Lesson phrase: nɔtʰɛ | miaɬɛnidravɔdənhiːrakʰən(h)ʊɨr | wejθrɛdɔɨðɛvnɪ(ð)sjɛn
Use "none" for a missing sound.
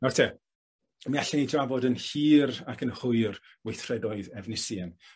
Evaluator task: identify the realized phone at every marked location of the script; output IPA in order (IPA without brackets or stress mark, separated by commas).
h, none